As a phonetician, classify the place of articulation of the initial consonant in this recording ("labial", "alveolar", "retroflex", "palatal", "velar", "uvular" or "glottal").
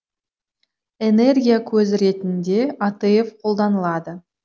alveolar